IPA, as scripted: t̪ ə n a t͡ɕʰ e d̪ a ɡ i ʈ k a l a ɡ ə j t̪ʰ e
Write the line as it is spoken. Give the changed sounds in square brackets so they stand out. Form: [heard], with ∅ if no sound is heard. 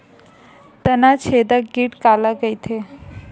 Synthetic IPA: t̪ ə n a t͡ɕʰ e d̪ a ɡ i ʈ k a l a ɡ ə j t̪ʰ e